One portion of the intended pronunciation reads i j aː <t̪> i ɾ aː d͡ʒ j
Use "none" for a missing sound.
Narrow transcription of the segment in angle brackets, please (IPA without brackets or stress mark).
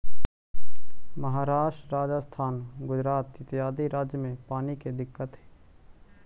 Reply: d̪